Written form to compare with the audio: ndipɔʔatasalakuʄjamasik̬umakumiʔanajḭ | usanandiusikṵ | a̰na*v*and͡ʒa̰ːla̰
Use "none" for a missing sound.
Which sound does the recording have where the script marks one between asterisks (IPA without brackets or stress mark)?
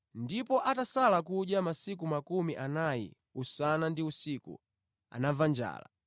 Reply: v